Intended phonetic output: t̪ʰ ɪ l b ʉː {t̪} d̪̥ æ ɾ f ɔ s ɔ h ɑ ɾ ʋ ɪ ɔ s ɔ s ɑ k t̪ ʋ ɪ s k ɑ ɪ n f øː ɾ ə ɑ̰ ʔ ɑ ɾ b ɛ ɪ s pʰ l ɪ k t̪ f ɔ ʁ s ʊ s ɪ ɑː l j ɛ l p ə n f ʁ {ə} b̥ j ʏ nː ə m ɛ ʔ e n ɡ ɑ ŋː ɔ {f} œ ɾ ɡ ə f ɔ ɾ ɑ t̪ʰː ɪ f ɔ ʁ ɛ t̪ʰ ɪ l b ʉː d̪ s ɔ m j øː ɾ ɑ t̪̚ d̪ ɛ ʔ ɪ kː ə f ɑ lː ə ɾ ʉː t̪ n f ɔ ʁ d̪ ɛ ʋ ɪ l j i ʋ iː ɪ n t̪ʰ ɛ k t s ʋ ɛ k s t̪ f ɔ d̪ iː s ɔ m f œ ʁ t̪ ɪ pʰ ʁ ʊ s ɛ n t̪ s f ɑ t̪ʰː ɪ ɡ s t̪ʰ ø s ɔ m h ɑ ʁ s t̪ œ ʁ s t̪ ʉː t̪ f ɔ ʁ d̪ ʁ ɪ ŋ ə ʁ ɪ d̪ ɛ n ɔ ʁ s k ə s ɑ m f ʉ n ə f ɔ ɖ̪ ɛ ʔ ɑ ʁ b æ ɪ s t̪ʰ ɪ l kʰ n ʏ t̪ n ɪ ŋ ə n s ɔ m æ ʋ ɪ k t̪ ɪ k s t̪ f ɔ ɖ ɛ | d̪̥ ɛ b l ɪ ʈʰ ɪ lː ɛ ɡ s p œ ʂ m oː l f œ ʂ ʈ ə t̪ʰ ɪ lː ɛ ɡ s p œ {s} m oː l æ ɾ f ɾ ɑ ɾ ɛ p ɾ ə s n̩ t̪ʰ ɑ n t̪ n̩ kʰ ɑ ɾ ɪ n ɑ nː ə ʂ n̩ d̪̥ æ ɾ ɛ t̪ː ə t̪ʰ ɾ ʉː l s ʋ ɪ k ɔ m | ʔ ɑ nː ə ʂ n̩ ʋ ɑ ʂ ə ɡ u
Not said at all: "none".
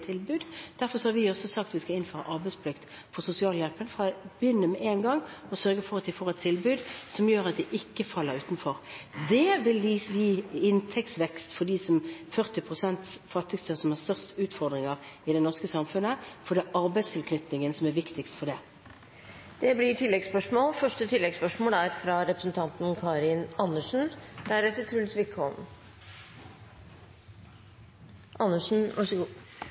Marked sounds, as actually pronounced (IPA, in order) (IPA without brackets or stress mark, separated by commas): d̪, ɑ, s, ʂ